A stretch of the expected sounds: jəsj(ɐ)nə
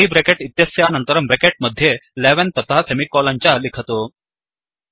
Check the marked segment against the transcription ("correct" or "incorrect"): incorrect